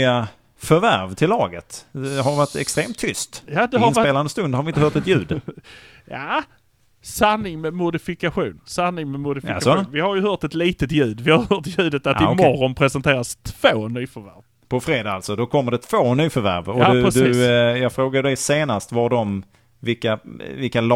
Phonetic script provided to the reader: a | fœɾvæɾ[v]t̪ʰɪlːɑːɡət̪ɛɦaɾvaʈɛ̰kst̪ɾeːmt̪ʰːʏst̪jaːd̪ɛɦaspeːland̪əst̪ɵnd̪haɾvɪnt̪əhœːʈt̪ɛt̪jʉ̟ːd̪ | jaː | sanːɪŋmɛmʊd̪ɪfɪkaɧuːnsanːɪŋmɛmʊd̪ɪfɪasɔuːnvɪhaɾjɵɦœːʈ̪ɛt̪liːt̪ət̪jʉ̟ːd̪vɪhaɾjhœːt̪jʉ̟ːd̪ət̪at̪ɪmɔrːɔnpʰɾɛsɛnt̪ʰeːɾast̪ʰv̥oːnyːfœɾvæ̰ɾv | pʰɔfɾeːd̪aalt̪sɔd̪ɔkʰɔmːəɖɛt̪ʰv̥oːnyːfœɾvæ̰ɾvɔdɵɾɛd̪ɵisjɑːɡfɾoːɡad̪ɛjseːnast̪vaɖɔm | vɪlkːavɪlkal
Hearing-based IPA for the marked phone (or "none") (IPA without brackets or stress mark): v